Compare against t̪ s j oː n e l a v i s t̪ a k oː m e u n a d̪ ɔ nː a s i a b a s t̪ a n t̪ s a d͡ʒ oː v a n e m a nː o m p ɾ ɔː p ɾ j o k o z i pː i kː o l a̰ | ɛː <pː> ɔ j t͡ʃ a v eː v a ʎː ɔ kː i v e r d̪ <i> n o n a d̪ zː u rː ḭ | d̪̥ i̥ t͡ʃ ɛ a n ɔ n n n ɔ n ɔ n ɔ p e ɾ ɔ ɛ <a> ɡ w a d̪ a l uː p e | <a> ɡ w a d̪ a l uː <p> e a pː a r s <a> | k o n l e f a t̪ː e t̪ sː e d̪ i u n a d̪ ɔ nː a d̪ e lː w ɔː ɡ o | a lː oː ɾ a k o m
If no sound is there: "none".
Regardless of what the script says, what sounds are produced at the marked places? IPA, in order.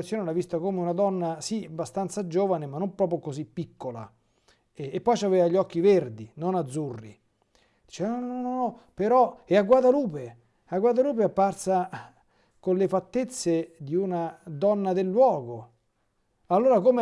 pː, i, a, a, p, a

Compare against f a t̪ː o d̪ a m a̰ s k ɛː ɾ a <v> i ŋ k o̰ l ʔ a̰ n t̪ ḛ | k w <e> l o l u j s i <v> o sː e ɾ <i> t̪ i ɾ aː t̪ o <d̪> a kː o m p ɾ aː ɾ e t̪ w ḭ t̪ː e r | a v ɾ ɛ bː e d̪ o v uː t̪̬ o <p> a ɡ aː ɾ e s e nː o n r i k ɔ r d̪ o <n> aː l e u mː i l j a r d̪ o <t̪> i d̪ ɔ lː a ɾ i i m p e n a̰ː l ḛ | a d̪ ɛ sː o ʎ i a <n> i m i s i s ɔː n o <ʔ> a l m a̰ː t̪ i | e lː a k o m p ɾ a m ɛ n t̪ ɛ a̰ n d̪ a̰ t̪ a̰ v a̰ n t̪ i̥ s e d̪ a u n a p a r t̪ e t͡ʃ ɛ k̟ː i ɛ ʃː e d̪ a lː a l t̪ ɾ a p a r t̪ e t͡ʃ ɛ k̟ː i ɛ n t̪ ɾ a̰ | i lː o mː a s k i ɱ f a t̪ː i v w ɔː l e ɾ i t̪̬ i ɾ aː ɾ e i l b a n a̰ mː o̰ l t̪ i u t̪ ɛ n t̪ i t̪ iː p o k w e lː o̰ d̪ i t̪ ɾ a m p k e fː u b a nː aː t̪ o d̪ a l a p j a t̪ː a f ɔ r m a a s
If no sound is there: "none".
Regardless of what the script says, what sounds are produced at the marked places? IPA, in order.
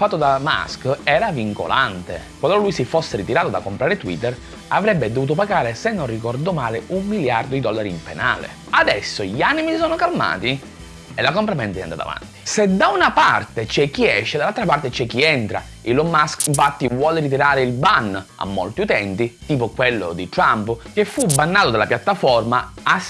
v, a, f, i, d̪, p, m, d̪, n, k

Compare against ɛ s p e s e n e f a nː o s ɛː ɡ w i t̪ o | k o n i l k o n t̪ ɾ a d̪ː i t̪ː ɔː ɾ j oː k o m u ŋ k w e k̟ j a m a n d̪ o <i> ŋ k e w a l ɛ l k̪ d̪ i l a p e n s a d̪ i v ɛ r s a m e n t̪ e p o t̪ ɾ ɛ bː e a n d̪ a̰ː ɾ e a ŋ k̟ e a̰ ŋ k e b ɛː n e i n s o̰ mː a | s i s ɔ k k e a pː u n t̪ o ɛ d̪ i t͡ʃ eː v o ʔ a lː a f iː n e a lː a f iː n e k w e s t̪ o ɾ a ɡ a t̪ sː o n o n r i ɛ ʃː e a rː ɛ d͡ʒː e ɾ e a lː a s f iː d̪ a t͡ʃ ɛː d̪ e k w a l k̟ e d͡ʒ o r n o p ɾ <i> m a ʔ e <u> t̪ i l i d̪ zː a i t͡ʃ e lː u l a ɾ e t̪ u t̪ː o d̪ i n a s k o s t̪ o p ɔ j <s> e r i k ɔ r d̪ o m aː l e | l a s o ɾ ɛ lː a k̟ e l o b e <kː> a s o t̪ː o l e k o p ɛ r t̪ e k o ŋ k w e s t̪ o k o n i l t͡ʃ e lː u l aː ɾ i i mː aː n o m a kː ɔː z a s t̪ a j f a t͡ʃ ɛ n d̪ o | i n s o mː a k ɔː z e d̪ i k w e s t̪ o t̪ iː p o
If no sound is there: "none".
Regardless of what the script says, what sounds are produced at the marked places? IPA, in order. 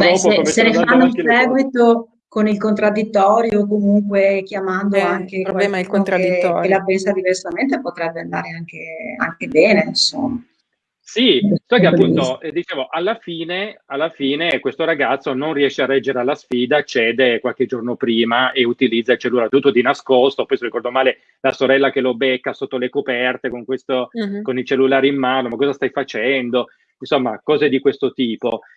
a, iː, u, s, kː

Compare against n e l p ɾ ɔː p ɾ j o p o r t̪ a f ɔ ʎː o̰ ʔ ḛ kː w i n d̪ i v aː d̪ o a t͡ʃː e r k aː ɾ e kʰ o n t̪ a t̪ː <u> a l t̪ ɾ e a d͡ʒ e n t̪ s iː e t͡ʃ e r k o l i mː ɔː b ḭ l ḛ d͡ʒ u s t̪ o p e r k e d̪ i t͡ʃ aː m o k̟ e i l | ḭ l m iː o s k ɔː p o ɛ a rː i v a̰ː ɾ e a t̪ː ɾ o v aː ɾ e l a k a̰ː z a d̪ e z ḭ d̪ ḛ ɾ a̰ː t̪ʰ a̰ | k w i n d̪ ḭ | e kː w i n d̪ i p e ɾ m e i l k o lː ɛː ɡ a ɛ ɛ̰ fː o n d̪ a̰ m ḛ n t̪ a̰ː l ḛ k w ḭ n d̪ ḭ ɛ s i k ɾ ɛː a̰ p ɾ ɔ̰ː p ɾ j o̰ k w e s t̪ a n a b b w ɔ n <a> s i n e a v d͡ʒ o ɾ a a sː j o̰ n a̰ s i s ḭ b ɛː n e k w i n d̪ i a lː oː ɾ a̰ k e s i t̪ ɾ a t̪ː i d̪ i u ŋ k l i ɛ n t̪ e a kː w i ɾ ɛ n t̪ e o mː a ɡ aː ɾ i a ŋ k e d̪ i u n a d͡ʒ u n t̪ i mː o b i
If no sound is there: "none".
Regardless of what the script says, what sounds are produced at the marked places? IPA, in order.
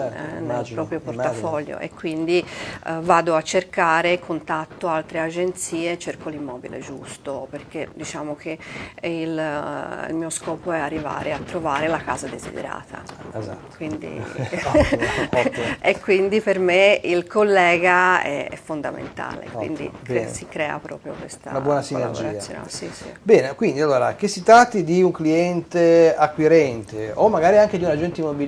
o, a

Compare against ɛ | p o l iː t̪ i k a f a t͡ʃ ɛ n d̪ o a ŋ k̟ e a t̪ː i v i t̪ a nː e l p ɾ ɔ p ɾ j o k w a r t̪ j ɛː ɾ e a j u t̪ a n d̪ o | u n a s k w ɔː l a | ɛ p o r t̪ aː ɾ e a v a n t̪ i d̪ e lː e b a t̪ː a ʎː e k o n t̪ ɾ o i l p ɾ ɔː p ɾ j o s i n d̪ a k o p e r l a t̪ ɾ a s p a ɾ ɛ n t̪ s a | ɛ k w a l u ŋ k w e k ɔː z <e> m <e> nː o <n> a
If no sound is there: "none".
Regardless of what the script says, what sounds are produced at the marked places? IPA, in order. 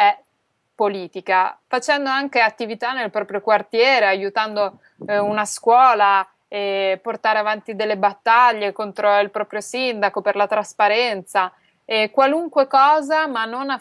a, a, n

